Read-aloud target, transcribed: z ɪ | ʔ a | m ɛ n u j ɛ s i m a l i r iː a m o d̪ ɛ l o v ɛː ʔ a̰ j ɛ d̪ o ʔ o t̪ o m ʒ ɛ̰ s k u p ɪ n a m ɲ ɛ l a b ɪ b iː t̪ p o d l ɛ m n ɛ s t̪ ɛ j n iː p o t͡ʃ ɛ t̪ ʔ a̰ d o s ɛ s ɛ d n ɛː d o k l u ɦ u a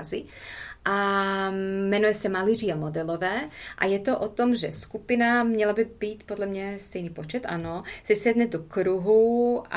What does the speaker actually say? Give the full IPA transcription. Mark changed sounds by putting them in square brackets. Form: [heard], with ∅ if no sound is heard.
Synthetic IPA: z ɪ | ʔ a | m ɛ n u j ɛ s [ɛ] m a l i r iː a m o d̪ ɛ l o v ɛː ʔ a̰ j ɛ [t̪] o ʔ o t̪ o m ʒ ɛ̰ s k u p ɪ n a m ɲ ɛ l a b ɪ b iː t̪ p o d l ɛ m [ɲ] ɛ s t̪ ɛ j n iː p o t͡ʃ ɛ t̪ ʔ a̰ [n] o s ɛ s ɛ d n [ɛ] d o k [ɾ] u ɦ u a